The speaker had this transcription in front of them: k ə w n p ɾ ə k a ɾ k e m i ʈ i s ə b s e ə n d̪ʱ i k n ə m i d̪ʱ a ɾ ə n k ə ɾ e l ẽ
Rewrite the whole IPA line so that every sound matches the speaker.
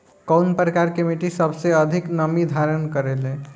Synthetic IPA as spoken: k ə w n p ɾ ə k a ɾ k e m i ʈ i s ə b s e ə d̪ʱ i k n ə m i d̪ʱ a ɾ ə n k ə ɾ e l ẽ